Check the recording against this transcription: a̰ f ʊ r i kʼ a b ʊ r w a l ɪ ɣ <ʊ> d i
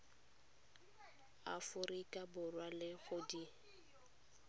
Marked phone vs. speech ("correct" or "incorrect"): correct